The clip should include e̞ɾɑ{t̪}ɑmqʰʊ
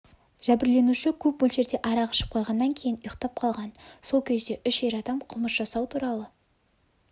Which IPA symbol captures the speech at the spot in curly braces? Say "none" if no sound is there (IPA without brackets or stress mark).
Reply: d̪